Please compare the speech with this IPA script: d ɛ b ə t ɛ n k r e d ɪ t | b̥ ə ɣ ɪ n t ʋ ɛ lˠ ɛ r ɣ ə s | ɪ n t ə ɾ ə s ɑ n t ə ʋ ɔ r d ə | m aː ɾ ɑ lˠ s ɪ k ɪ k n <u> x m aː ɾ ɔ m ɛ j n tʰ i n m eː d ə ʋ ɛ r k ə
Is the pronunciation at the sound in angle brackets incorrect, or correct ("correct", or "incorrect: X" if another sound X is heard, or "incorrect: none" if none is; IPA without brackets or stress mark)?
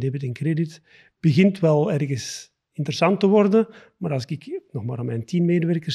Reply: incorrect: ɔ